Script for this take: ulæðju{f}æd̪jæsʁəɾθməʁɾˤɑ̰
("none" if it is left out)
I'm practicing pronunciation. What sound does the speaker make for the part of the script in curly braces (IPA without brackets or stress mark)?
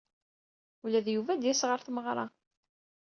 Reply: v